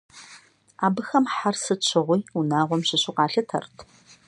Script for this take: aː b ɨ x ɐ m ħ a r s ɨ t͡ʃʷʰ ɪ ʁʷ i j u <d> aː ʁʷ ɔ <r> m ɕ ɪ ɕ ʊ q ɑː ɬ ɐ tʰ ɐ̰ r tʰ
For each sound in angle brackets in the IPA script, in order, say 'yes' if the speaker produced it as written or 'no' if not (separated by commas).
no, no